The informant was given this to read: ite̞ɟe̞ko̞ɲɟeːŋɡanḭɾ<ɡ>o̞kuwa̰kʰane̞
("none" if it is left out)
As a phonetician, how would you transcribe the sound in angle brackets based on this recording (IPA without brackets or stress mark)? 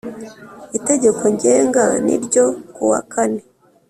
ɟ